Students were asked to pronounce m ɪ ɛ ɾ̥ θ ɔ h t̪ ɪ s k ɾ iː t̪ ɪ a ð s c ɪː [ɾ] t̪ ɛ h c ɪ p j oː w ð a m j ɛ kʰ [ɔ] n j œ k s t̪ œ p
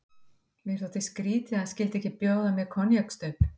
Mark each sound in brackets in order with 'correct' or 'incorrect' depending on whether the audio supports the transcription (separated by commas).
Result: incorrect, correct